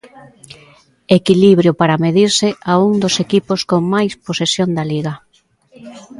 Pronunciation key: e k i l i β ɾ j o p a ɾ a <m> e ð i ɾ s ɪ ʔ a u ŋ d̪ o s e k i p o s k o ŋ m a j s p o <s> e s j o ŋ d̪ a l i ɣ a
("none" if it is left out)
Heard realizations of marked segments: m, s

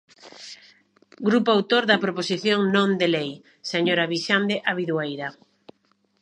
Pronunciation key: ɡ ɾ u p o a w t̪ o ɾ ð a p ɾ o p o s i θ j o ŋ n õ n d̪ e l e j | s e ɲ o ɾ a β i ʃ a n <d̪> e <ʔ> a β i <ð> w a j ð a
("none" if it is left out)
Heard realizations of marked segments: d̪, ʔ, ð

